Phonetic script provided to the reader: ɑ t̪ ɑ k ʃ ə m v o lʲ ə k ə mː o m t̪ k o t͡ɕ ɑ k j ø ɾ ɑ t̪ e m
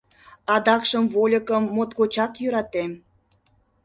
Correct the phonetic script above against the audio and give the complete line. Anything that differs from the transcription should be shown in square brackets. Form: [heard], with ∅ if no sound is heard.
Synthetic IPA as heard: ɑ [d̪] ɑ k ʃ ə m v o lʲ ə k ə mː o [∅] t̪ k o t͡ɕ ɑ k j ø ɾ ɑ t̪ e m